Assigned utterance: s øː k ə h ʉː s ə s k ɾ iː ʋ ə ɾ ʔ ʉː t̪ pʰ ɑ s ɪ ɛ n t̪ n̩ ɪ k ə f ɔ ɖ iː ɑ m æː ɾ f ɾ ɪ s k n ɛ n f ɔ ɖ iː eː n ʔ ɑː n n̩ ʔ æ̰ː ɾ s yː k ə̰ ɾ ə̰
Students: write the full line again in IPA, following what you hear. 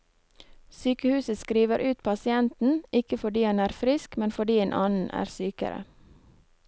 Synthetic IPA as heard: s yː k ə h ʉː s ə s k ɾ iː ʋ ə ɾ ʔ ʉː t̪ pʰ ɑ s ɪ ɛ n t̪ n̩ ɪ k ə f ɔ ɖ iː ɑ n æː ɾ f ɾ ɪ s k m ɛ n f ɔ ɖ iː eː n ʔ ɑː n n̩ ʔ æ̰ː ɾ s yː k ə̰ ɾ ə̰